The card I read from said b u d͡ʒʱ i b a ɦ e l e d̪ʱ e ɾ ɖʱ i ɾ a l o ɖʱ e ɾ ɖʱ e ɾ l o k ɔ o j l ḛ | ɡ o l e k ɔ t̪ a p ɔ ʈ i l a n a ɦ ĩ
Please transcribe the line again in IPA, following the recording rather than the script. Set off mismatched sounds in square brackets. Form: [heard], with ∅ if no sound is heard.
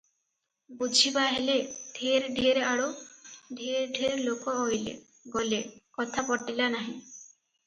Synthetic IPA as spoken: b u d͡ʒʱ i b a ɦ e l e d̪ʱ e ɾ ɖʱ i ɾ a [ɽ] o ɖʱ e ɾ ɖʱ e ɾ l o k ɔ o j l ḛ | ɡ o l e k ɔ [t̪ʰ] a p ɔ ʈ i l a n a ɦ ĩ